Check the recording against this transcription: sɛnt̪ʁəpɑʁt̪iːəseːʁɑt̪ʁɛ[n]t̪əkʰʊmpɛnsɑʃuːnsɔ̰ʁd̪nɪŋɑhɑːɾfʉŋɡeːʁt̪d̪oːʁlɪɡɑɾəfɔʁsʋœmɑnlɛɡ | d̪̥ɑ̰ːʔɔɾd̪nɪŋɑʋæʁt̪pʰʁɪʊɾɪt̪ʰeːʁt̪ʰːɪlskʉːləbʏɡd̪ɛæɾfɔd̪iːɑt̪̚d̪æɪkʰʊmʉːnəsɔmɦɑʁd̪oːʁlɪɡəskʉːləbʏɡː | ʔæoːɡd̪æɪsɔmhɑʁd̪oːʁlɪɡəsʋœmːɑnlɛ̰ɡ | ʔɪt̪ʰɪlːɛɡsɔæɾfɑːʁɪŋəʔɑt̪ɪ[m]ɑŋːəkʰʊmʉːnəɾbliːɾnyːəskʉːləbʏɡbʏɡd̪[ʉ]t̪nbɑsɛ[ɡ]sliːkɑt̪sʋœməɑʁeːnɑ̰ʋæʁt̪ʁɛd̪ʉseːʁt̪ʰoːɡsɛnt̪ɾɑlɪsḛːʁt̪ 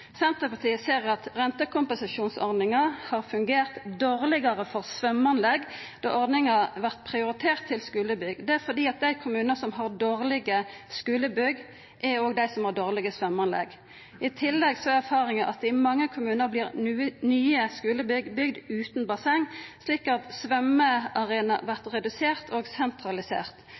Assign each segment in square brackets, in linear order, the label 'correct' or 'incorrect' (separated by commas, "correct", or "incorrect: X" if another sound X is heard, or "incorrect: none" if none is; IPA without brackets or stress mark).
correct, correct, incorrect: ʉː, incorrect: ŋ